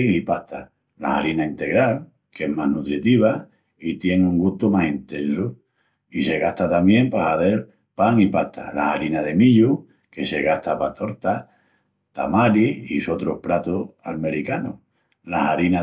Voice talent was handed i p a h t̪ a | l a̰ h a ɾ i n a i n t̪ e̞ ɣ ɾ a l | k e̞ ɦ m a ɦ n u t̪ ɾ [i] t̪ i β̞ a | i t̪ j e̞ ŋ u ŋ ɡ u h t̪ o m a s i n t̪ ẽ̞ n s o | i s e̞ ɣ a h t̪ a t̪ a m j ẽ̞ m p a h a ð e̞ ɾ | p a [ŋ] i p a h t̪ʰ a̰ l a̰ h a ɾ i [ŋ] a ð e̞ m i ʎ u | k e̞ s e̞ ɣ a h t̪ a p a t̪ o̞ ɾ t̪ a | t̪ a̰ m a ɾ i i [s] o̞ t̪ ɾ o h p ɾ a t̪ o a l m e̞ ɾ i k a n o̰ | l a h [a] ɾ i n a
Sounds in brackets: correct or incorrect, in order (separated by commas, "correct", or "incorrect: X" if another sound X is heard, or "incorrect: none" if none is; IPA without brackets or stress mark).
correct, correct, incorrect: n, correct, correct